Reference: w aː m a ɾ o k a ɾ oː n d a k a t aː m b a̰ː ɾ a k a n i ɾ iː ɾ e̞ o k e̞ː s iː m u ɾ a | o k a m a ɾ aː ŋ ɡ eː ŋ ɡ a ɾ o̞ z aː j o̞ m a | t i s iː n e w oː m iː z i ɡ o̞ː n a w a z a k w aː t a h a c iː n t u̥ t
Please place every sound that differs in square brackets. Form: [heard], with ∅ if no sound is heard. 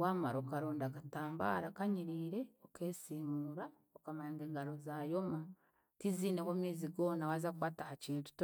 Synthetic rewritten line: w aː m a ɾ o k a ɾ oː n d a k a t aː m b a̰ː ɾ a k a [ɲ] i ɾ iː ɾ e̞ o k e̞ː s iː m u ɾ a | o k a m a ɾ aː ŋ ɡ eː ŋ ɡ a ɾ o̞ z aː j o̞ m a | t i [z] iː n e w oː m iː z i ɡ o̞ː n a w a z a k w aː t a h a c iː n t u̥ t